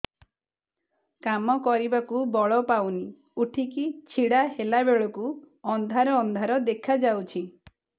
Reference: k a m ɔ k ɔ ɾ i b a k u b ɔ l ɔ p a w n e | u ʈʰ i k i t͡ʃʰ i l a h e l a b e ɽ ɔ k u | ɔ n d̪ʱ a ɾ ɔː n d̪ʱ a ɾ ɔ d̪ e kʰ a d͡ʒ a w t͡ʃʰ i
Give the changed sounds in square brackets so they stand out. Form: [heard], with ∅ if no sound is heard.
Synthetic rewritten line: k a m ɔ k ɔ ɾ i b a k u b ɔ [ɭ] ɔ p a w n [i] | u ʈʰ i k i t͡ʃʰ i [ɽ] a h e l a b e [ɭ] ɔ k u | ɔ n d̪ʱ a ɾ ɔː n d̪ʱ a ɾ ɔ d̪ e kʰ a d͡ʒ a w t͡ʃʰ i

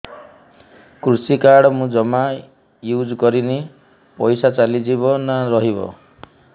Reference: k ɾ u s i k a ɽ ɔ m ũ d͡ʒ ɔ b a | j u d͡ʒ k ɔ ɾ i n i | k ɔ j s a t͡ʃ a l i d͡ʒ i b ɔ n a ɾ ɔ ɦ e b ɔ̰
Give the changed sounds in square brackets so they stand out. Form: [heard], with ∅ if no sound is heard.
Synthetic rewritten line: k ɾ u s i k a ɽ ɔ m ũ d͡ʒ ɔ [m] a | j u d͡ʒ k ɔ ɾ i n i | [p] ɔ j s a t͡ʃ a l i d͡ʒ i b ɔ n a ɾ ɔ ɦ [i] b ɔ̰

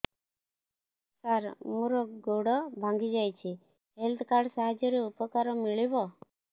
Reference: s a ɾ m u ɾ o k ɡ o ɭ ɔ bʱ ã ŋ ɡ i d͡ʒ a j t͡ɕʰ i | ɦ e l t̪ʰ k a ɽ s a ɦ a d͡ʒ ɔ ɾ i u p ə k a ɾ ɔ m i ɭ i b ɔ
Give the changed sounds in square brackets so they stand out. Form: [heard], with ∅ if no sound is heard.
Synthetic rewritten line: s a ɾ m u ɾ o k ɡ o [ɽ] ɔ bʱ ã ŋ ɡ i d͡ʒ a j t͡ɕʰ i | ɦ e l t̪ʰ k a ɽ s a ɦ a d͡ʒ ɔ ɾ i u p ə k a ɾ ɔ m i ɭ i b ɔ

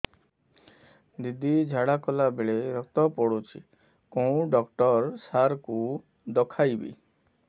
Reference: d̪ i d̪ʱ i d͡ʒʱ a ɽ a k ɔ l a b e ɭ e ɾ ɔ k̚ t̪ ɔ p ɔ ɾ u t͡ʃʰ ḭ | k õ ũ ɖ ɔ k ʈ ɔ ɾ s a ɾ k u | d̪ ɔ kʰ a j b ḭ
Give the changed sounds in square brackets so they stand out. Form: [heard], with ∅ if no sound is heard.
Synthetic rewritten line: d̪ i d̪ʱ i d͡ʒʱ a ɽ a k ɔ l a b e ɭ e ɾ ɔ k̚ t̪ ɔ p ɔ [ɽ] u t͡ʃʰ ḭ | k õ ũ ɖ ɔ k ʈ ɔ ɾ s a ɾ k u | d̪ ɔ kʰ a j b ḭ

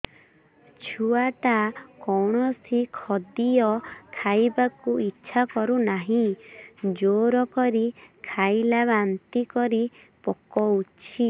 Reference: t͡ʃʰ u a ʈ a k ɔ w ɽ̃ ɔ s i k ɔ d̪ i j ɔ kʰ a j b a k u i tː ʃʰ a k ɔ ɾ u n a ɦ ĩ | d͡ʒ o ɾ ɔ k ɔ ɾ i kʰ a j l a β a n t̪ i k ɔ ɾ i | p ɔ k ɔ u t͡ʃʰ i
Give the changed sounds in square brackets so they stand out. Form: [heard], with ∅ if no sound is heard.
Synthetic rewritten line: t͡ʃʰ u a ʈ a k ɔ w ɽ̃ ɔ s i [kʰ] ɔ d̪ i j ɔ kʰ a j b a k u i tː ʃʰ a k ɔ ɾ u n a ɦ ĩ | d͡ʒ o ɾ ɔ k ɔ ɾ i kʰ a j l a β a n t̪ i k ɔ ɾ i | p ɔ k ɔ u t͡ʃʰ i

